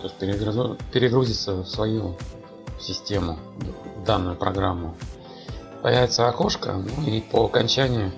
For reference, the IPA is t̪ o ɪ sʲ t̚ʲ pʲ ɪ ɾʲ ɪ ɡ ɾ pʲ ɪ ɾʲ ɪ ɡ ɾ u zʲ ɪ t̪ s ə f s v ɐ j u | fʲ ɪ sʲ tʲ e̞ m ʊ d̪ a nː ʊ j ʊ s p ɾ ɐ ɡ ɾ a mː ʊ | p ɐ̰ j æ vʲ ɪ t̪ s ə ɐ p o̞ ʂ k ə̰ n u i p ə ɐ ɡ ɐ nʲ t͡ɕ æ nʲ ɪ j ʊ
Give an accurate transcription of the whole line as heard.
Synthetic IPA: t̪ o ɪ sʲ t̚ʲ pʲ ɪ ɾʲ ɪ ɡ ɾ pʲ ɪ ɾʲ ɪ ɡ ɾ u zʲ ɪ t̪ s ə f s v ɐ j u | sʲ ɪ sʲ tʲ e̞ m ʊ d̪ a nː ʊ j ʊ p ɾ ɐ ɡ ɾ a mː ʊ | p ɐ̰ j æ vʲ ɪ t̪ s ə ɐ k o̞ ʂ k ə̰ n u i p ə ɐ k ɐ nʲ t͡ɕ æ nʲ ɪ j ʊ